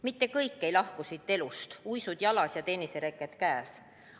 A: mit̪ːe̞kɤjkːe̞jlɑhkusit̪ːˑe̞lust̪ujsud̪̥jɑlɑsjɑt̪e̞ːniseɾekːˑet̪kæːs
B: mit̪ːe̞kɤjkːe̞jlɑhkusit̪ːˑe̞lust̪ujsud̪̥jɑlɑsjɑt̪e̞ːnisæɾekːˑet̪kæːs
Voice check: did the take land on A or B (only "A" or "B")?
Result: A